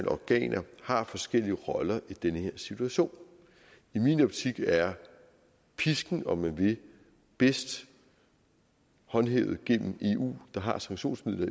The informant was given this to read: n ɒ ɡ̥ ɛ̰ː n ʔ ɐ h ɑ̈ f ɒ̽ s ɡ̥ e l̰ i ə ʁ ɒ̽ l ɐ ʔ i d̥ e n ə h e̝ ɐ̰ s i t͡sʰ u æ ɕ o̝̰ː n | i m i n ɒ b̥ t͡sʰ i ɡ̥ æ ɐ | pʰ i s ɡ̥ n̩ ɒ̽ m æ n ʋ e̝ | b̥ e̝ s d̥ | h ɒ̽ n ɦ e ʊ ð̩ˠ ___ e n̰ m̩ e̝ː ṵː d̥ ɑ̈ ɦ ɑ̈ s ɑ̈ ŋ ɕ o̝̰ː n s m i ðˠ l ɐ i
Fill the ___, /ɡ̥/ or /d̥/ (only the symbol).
ɡ̥